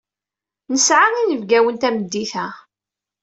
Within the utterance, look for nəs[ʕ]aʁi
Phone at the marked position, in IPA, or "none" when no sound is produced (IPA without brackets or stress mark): ʕ